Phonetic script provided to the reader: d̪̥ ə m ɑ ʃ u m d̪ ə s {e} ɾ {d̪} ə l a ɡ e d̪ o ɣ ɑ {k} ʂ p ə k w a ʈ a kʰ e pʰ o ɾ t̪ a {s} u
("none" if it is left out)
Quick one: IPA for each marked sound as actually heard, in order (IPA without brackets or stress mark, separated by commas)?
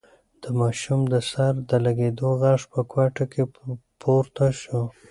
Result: a, d̪, none, ʃ